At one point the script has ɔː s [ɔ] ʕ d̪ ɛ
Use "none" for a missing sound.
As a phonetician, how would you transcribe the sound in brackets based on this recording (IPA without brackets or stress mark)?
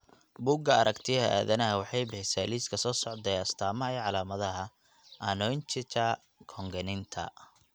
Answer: ɔ